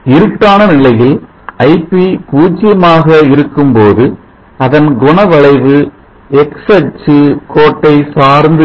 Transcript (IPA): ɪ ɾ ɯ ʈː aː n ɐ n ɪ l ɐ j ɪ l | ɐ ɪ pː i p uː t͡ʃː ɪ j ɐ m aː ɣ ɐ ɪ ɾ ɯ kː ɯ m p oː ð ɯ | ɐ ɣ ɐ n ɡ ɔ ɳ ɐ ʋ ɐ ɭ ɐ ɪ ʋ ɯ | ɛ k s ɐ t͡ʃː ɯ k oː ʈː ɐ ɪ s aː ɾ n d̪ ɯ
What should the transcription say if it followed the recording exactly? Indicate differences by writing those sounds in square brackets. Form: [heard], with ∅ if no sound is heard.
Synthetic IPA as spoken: ɪ ɾ ɯ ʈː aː n ɐ n ɪ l ɐ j ɪ l | ɐ ɪ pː i p uː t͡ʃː ɪ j ɐ m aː ɣ ɐ ɪ ɾ ɯ kː ɯ m p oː ð ɯ | ɐ [ð] ɐ n ɡ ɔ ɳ ɐ ʋ ɐ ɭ ɐ ɪ ʋ ɯ | ɛ k s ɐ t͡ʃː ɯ k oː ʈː ɐ ɪ s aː ɾ n d̪ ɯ